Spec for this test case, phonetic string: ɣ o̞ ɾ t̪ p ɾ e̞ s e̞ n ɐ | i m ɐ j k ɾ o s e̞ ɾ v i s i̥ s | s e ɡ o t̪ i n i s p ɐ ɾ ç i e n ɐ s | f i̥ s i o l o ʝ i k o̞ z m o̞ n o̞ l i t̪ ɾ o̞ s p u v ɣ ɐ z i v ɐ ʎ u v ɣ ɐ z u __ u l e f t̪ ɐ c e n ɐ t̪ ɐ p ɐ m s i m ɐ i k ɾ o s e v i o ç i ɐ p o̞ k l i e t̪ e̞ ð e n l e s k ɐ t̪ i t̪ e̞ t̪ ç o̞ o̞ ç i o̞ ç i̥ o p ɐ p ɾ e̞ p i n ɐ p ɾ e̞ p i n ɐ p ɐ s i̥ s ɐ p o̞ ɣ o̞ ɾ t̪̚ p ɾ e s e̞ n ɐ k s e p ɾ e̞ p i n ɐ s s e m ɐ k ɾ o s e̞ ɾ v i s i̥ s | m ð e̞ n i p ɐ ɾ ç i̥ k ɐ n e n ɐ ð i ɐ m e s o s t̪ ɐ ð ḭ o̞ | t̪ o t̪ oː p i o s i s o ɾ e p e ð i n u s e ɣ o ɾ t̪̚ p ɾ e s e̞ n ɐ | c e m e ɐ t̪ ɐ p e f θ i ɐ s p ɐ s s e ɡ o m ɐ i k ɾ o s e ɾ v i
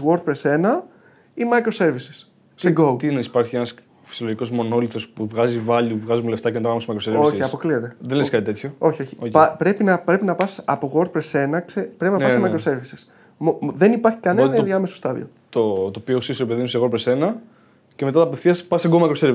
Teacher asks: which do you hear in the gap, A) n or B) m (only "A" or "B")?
B